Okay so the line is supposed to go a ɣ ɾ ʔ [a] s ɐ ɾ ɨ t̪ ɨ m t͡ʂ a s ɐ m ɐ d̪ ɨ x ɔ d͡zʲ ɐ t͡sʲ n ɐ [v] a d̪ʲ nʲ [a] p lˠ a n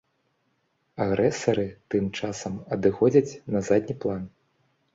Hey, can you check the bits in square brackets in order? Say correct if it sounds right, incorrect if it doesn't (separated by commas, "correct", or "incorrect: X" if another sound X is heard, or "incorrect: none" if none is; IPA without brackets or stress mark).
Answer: incorrect: ɛ, incorrect: z, incorrect: i